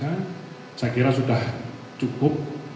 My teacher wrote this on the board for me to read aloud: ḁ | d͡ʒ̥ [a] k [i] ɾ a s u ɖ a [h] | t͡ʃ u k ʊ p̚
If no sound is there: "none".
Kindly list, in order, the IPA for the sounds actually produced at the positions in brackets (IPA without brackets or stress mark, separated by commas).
a, i, h